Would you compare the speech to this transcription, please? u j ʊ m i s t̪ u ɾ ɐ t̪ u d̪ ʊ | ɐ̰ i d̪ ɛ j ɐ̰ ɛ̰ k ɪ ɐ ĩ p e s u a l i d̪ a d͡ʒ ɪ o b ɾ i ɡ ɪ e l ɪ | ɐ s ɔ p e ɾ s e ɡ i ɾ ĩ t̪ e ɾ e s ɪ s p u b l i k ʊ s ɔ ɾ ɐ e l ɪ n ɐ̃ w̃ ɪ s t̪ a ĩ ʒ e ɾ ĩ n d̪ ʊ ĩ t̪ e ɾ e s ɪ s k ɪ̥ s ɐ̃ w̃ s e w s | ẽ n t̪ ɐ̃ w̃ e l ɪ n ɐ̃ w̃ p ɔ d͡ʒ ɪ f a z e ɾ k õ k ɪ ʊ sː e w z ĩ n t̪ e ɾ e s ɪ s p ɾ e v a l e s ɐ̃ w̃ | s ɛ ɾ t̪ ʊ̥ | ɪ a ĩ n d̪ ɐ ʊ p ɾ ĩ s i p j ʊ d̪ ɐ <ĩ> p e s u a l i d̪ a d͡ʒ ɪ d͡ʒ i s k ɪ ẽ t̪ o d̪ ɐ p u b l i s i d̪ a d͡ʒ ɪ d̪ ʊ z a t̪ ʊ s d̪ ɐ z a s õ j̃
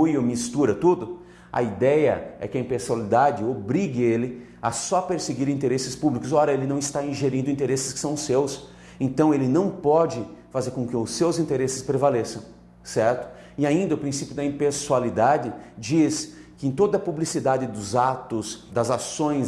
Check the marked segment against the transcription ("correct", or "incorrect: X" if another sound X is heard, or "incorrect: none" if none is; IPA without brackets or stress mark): correct